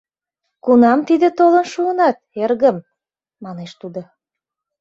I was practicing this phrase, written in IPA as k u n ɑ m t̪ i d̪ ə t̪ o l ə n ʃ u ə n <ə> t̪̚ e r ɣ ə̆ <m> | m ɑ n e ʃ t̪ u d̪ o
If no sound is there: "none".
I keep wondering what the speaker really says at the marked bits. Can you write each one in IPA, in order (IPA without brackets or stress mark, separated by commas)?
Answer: ɑ, m